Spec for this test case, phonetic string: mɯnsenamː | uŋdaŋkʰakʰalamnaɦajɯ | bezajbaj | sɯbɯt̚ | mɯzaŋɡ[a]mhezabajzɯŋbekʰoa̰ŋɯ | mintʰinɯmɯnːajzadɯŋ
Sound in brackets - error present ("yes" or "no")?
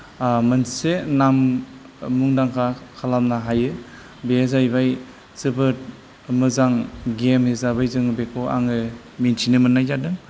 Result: yes